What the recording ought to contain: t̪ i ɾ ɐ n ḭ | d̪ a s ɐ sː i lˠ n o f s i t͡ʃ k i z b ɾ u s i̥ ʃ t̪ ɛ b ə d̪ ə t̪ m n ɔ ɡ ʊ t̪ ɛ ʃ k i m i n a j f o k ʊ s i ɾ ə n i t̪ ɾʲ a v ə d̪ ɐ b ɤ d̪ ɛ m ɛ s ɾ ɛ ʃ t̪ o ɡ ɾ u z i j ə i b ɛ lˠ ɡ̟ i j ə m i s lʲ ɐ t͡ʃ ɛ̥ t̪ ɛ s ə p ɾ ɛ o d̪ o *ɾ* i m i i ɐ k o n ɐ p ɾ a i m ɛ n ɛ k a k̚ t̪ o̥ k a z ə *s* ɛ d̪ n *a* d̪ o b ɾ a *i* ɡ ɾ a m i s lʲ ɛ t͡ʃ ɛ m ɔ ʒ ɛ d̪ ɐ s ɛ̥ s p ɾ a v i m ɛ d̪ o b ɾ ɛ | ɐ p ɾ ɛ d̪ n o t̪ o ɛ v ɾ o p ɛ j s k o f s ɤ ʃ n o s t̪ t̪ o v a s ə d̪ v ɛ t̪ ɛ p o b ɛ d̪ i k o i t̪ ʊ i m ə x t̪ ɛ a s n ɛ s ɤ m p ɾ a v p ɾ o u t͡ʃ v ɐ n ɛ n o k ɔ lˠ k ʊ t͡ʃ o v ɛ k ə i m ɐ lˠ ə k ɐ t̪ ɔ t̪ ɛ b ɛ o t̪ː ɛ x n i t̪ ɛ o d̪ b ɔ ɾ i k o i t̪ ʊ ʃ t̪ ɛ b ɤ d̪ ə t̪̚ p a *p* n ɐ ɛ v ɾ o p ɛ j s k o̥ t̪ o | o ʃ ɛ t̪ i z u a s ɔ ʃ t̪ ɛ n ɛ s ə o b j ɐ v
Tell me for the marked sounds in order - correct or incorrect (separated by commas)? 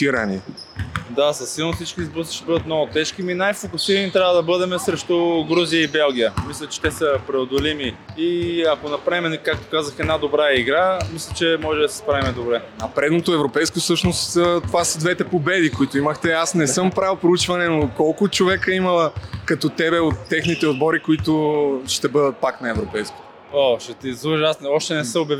incorrect, incorrect, correct, correct, incorrect